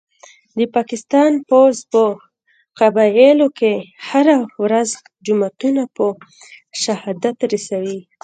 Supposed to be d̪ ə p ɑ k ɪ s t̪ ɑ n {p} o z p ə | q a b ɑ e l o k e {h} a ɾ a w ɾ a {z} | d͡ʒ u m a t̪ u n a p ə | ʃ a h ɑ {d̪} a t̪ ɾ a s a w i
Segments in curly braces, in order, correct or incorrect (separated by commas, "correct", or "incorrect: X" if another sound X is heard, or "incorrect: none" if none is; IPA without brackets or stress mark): correct, correct, correct, correct